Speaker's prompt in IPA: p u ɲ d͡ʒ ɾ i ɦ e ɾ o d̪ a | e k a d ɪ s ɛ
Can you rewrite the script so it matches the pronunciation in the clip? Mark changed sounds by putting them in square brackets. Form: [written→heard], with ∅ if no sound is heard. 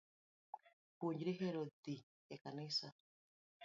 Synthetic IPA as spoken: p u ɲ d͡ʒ ɾ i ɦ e ɾ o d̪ [a→i] | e k a [d→n] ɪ s [ɛ→a]